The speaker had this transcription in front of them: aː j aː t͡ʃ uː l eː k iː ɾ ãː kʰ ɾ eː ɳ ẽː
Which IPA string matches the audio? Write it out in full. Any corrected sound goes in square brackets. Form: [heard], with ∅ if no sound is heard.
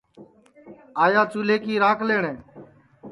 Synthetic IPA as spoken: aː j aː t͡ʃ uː l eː k iː ɾ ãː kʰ [l] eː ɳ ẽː